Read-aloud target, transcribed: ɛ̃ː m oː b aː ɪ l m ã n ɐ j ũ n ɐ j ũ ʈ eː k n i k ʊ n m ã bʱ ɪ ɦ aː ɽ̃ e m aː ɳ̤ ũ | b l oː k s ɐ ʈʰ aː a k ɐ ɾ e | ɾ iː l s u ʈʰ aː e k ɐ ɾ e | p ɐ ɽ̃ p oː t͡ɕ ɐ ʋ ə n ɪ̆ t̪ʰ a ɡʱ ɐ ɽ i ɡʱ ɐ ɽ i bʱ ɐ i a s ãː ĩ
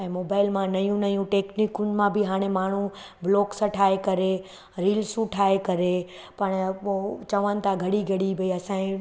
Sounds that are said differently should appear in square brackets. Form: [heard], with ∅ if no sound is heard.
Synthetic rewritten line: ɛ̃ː m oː b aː ɪ l m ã n ɐ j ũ n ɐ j ũ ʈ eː k n i k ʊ n m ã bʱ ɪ ɦ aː ɽ̃ e m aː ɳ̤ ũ | b l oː k s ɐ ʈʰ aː [e] k ɐ ɾ e | ɾ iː l s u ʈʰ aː e k ɐ ɾ e | p ɐ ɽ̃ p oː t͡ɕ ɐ ʋ ə n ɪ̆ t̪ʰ a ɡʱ ɐ ɽ i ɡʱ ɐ ɽ i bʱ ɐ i [ɐ] s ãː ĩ

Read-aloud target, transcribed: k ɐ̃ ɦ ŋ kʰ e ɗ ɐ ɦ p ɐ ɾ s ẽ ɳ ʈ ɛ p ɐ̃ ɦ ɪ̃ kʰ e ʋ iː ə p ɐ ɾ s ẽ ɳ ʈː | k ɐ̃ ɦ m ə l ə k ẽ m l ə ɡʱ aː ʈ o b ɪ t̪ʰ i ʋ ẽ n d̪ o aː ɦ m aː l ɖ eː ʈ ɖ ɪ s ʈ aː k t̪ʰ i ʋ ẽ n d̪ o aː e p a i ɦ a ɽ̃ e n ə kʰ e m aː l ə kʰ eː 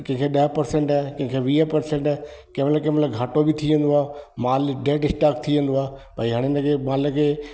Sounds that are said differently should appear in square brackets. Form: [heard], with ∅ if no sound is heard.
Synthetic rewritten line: k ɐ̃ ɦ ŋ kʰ e ɗ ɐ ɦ p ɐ ɾ s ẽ ɳ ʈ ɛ [k] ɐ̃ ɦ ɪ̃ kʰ e ʋ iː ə p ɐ ɾ s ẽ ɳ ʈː | k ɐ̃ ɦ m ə l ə k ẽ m l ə ɡʱ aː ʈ o b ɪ t̪ʰ i ʋ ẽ n d̪ o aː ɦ m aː l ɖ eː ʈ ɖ ɪ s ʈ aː k t̪ʰ i ʋ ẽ n d̪ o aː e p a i ɦ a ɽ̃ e n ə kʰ e m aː l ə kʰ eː

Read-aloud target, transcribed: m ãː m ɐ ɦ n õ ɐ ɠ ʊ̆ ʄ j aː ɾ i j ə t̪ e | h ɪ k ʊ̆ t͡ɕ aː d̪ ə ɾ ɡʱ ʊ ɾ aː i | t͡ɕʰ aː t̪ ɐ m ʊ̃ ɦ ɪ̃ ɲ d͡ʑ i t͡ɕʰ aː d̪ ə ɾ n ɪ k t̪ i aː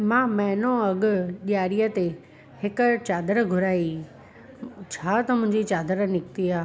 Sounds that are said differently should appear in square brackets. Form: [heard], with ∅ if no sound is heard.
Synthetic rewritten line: m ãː m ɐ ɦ n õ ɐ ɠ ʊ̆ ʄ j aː ɾ i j ə t̪ e | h ɪ k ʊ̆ t͡ɕ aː d̪ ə ɾ ɡʱ ʊ ɾ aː i | t͡ɕʰ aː t̪ ɐ m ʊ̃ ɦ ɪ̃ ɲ d͡ʑ i [t͡ɕ] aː d̪ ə ɾ n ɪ k t̪ i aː

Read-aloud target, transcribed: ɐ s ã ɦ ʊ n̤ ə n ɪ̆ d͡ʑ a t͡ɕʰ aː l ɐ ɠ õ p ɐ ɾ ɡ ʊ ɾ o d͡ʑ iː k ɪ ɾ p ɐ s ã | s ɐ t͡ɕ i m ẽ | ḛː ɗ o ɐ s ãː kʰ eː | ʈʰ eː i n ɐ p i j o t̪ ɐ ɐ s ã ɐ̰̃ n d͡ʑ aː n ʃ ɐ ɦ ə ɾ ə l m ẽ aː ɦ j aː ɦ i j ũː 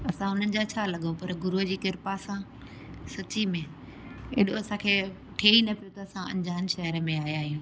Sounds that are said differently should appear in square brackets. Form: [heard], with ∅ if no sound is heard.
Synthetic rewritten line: ɐ s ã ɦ ʊ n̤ ə n ɪ̆ d͡ʑ a t͡ɕʰ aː l ɐ ɠ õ p ɐ ɾ ɡ ʊ ɾ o d͡ʑ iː k ɪ ɾ p [a] s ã | s ɐ t͡ɕ i m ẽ | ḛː ɗ o ɐ s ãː kʰ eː | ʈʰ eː i n ɐ p i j o t̪ ɐ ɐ s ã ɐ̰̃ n d͡ʑ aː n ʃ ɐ ɦ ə ɾ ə [∅] m ẽ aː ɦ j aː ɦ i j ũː

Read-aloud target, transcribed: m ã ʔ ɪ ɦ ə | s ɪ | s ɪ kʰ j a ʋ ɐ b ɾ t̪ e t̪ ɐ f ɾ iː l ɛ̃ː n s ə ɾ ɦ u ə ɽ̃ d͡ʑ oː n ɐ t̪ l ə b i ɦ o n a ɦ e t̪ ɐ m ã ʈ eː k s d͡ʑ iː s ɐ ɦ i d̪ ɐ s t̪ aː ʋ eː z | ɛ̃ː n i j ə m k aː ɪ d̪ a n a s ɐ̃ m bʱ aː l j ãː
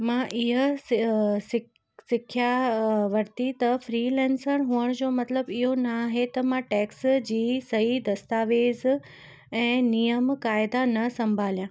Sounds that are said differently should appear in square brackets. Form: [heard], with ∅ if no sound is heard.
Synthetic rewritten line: m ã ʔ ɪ ɦ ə | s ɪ | s ɪ kʰ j a ʋ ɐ [∅] ɾ t̪ [i] t̪ ɐ f ɾ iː l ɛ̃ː n s ə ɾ ɦ u ə ɽ̃ d͡ʑ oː [m] ɐ t̪ l ə b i ɦ o n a ɦ e t̪ ɐ m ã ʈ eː k s d͡ʑ iː s ɐ ɦ i d̪ ɐ s t̪ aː ʋ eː z | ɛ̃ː n i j ə m k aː ɪ d̪ a n [ɐ] s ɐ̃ m bʱ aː l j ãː

